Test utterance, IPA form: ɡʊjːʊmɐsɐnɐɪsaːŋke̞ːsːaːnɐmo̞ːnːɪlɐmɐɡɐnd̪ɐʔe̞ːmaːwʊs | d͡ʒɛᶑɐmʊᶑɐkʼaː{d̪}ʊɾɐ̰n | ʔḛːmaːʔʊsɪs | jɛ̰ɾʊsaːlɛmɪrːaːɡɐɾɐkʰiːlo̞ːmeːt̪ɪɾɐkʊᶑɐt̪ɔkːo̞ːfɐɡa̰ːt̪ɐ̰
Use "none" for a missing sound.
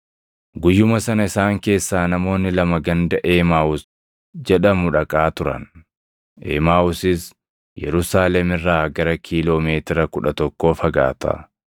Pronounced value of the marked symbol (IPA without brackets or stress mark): t̪